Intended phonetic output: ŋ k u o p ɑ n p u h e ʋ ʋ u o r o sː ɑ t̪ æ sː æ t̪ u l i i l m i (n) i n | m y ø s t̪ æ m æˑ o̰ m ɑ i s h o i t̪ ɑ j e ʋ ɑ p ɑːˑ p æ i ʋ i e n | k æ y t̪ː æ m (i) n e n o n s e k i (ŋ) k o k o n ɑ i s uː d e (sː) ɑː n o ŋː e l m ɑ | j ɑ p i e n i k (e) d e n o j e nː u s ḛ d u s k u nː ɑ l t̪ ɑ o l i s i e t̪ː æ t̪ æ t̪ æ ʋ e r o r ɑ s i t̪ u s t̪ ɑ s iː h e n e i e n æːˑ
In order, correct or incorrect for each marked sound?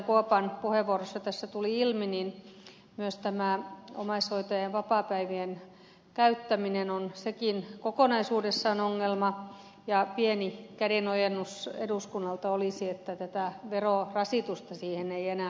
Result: correct, correct, incorrect: n, correct, incorrect: æ

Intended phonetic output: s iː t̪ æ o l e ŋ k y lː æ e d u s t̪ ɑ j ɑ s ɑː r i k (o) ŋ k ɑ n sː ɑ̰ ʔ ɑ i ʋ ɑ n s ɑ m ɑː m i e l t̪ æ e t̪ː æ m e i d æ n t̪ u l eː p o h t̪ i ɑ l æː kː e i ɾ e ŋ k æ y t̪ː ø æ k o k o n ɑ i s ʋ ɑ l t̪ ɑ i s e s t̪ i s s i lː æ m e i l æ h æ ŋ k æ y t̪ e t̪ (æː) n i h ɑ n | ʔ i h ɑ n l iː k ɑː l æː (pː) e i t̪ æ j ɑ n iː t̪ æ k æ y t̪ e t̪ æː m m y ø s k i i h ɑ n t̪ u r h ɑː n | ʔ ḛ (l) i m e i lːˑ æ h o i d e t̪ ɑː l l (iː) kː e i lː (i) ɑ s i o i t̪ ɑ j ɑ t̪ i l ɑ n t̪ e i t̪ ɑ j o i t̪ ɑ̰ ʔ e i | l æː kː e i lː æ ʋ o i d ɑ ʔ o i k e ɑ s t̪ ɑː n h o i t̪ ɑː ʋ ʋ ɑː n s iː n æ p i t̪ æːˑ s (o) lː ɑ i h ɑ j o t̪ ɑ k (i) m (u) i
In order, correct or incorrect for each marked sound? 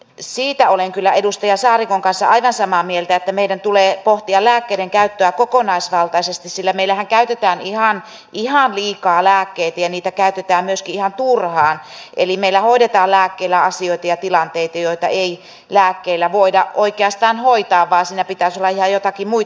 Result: correct, correct, incorrect: kː, correct, incorrect: æː, incorrect: æ, correct, correct, correct

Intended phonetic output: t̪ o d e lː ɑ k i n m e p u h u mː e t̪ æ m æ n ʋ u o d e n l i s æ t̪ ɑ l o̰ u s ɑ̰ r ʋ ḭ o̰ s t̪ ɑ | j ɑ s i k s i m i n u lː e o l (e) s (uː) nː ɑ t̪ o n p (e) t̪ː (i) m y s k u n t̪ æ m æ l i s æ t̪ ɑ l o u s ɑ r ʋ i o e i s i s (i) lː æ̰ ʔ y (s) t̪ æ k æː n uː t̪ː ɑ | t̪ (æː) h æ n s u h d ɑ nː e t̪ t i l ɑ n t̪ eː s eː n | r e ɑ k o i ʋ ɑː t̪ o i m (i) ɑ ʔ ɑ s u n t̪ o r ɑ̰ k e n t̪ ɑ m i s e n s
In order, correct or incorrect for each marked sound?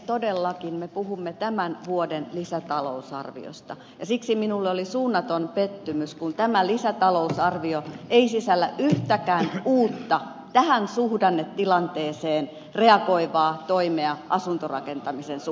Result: incorrect: i, correct, correct, incorrect: y, incorrect: æ, incorrect: h, incorrect: æ, incorrect: e

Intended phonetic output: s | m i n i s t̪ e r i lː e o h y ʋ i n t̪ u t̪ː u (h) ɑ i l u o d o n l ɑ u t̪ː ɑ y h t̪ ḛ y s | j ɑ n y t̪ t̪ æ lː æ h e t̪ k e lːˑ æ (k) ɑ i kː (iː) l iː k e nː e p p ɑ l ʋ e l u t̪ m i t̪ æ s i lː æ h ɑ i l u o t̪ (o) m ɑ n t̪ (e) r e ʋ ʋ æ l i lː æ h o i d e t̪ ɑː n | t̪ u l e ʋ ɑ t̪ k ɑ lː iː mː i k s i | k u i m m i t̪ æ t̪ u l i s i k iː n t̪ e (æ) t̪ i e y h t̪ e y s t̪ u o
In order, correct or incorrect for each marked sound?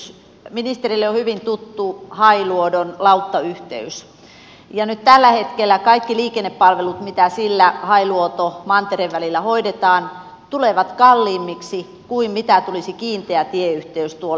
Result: correct, correct, incorrect: i, correct, correct, correct

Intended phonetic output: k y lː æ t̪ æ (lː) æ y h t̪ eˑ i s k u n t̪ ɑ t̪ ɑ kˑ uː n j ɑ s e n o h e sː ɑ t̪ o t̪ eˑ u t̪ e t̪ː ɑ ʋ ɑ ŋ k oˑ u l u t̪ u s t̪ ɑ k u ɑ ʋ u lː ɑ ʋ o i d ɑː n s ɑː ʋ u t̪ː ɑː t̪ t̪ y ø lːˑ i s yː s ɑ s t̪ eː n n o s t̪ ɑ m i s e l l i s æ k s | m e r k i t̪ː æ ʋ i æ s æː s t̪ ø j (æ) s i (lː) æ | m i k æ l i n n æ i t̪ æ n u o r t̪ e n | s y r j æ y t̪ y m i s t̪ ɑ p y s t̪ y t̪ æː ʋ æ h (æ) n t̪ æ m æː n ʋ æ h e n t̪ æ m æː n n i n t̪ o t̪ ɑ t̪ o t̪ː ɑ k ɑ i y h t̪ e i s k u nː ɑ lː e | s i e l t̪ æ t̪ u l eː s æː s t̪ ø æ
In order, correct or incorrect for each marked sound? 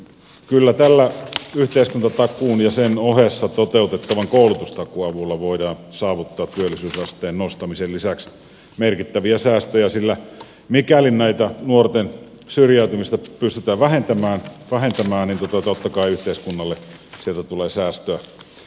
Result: correct, correct, correct, incorrect: e

